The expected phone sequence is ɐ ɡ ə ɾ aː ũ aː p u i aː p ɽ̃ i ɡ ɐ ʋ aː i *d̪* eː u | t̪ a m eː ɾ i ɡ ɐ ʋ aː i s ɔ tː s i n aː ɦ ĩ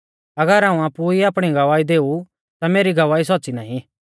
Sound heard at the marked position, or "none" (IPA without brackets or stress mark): d̪